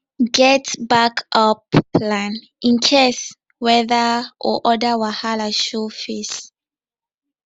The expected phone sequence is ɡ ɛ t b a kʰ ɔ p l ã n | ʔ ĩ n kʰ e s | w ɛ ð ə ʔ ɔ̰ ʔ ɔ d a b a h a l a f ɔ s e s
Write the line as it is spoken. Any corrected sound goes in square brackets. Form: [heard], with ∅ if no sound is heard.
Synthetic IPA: ɡ ɛ t b a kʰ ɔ p l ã n | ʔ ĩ n kʰ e s | w ɛ ð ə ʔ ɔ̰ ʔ ɔ d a [w] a h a l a [ʃ] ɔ [f] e s